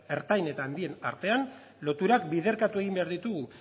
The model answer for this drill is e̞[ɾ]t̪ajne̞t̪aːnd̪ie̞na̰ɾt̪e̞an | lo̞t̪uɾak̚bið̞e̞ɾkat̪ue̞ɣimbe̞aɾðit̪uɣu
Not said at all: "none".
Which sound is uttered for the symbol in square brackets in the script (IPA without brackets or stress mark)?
ɾ